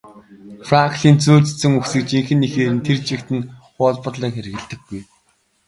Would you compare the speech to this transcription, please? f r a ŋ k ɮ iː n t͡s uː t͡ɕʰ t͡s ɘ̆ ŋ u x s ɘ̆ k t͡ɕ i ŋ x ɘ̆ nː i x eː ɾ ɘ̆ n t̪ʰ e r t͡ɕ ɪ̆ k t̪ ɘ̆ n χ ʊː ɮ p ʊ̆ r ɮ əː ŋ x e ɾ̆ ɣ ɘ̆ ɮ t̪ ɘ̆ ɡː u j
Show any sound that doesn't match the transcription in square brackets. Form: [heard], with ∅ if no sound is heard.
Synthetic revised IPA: f r a ŋ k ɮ iː n t͡s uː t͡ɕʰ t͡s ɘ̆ ŋ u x s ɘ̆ k t͡ɕ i ŋ x ɘ̆ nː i x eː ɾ ɘ̆ n t̪ʰ e r t͡ɕ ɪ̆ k t̪ ɘ̆ n χ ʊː ɮ p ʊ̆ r ɮ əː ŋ x e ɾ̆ ɣ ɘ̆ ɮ t̪ ɘ̆ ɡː u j